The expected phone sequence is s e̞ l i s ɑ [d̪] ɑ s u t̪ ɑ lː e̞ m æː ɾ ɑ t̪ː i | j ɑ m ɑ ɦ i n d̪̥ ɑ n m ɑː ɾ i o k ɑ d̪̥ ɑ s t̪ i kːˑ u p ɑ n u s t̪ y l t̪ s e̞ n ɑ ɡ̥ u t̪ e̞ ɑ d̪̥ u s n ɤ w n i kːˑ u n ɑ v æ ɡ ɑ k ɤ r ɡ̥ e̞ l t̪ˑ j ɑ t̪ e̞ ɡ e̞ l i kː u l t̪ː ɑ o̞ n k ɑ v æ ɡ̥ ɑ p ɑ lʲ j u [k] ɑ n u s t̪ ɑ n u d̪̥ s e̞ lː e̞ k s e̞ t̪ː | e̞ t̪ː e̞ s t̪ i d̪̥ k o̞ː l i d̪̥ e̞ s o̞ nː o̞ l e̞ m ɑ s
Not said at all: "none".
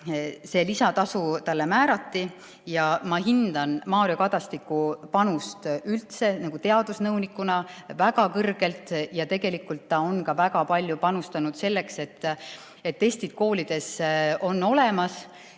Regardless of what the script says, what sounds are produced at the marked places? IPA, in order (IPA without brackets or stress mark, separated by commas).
t̪, p